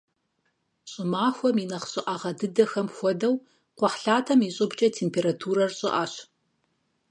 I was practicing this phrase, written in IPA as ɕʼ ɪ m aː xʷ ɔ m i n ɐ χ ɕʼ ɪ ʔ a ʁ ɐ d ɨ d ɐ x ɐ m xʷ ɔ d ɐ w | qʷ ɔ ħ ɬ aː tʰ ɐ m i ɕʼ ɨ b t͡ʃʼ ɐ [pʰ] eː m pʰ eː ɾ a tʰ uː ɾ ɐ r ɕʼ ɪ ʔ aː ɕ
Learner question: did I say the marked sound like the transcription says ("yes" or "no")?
no